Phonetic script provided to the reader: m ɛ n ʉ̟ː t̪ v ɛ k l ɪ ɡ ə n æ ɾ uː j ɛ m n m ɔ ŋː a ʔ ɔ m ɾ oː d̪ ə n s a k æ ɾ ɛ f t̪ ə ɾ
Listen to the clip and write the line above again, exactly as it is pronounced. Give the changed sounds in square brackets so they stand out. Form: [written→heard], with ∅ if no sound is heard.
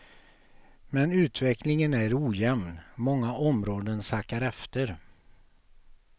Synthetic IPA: m ɛ n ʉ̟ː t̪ v ɛ k l ɪ [ɡ→ŋ] ə n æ ɾ uː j ɛ m n m ɔ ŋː a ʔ ɔ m ɾ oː d̪ ə n s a k [æ→a] ɾ ɛ f t̪ ə ɾ